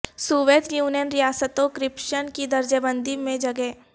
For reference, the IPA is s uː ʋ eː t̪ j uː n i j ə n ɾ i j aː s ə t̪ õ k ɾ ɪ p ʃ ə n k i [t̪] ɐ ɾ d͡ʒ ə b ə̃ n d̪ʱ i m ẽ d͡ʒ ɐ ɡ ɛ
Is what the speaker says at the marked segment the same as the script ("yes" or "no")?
no